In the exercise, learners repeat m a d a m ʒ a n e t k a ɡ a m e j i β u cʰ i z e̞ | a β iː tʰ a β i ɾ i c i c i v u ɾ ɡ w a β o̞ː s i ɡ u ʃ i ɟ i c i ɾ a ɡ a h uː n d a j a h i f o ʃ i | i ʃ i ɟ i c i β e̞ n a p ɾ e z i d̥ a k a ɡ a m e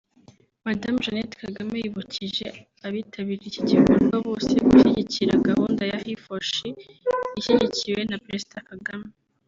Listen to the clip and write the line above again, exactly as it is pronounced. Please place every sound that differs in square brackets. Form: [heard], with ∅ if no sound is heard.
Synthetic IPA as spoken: m a d a m ʒ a n e t k a ɡ a m e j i β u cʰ i [ʒ] e̞ | a β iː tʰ a β i ɾ i c i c i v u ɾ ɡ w a β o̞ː s [e] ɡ u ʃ i ɟ i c i ɾ a ɡ a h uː n d a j a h i f o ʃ i | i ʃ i ɟ i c i [w] e̞ n a p ɾ e z i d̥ a k a ɡ a m e